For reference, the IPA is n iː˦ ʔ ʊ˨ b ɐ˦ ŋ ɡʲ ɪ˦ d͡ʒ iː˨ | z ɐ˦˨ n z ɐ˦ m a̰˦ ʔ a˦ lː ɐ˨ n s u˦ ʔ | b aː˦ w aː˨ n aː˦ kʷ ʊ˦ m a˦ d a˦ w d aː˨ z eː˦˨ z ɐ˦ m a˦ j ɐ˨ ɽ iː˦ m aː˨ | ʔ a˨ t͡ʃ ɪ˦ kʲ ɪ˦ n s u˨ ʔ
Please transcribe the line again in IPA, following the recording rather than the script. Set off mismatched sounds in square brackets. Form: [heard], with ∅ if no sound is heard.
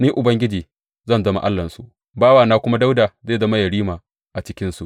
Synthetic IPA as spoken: n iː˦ ʔ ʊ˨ b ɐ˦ ŋ ɡʲ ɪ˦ d͡ʒ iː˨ | z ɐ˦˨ n z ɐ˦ m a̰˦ ʔ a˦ lː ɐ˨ n s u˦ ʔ | b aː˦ w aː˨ n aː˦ kʷ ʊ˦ m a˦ d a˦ w d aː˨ z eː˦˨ z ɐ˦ m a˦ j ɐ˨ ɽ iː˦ m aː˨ | ʔ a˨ t͡ʃ ɪ˦ kʲ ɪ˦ n s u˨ ʔ

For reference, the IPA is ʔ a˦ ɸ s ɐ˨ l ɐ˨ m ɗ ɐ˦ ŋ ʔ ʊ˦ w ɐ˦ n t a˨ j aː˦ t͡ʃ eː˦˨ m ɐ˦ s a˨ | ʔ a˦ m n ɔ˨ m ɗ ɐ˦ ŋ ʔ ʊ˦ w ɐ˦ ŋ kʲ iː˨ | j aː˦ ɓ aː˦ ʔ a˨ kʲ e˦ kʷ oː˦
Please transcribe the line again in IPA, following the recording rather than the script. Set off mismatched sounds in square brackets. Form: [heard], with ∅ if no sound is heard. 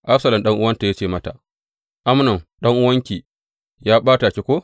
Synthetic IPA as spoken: ʔ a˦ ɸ s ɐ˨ l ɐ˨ m ɗ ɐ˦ ŋ ʔ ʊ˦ w ɐ˦ n t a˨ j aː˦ t͡ʃ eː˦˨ m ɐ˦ [t] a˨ | ʔ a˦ m n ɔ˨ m ɗ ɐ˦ ŋ ʔ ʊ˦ w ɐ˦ ŋ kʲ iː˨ | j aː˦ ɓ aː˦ [t] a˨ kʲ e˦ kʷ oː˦

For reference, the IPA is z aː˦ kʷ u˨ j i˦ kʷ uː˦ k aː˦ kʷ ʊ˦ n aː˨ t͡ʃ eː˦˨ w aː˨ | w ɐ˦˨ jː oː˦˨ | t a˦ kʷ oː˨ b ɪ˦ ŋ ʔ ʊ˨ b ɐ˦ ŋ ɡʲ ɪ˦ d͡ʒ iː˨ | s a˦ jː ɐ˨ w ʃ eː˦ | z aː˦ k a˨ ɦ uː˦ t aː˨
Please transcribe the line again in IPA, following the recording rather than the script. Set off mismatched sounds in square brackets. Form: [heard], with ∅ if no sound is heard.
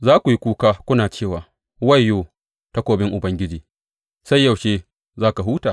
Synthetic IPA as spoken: z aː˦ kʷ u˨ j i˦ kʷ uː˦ k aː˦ kʷ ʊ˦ n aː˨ t͡ʃ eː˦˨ w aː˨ | w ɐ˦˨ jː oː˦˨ | t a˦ kʷ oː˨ b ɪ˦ ŋ ʔ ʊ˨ b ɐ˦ ŋ ɡʲ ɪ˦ d͡ʒ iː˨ | s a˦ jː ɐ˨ w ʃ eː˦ | z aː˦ k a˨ ɦ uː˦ t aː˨

